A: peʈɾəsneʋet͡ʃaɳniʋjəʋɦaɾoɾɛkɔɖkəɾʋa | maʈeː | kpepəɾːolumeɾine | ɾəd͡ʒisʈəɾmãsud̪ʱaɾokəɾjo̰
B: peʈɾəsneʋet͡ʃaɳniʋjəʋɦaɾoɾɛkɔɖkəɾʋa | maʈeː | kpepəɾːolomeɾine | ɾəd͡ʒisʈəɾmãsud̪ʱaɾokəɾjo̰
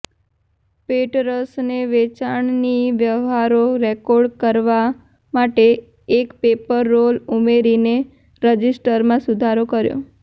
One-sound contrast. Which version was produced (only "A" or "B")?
A